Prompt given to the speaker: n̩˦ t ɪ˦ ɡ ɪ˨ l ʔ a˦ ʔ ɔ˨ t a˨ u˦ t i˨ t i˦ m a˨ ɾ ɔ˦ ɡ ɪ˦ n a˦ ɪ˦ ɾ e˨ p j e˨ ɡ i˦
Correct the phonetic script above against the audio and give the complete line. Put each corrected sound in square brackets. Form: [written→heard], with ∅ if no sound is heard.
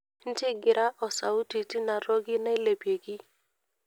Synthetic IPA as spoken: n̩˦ t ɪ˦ ɡ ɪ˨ [l→ɾ] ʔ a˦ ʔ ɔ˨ [t→s] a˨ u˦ t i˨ t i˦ [m→n] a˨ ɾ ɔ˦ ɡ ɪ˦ n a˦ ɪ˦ [ɾ→l] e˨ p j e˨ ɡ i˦